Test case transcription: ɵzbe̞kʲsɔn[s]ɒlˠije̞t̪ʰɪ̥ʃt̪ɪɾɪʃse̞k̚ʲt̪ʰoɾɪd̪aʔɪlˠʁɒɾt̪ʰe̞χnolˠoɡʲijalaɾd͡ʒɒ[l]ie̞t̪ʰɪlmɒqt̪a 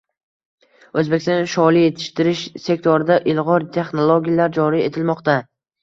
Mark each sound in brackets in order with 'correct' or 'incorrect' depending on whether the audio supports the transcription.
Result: incorrect, incorrect

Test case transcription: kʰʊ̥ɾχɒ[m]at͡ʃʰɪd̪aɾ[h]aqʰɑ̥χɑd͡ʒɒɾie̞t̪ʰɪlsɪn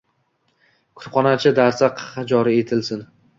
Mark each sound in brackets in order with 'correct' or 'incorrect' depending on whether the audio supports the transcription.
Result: incorrect, incorrect

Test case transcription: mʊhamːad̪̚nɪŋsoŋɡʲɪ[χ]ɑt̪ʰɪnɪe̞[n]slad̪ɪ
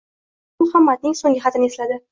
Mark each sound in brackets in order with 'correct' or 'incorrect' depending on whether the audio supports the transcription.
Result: correct, incorrect

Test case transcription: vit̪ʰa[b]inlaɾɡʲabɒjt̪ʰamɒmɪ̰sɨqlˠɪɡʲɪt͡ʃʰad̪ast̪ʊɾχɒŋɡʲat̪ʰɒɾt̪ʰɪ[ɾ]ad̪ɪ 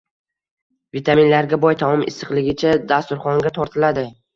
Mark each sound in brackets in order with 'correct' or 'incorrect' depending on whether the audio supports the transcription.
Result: incorrect, incorrect

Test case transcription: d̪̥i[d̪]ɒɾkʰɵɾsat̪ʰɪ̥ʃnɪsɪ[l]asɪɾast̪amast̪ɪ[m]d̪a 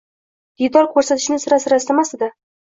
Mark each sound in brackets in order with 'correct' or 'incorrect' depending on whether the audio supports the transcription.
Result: correct, incorrect, incorrect

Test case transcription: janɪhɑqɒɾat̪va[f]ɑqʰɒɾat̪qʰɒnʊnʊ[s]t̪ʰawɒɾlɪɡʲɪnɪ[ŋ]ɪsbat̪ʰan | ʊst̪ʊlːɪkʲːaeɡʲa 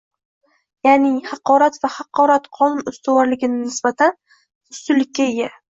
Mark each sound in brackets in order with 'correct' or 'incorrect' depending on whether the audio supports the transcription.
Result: incorrect, correct, incorrect

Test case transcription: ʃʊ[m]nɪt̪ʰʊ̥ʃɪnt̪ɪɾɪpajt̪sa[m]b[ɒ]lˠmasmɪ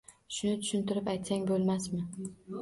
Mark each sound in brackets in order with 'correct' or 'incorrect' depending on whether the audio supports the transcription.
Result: incorrect, incorrect, incorrect

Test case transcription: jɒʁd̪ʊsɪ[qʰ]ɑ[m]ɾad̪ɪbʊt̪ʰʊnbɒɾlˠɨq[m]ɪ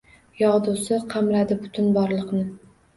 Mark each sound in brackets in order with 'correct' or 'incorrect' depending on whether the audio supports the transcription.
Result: correct, correct, incorrect

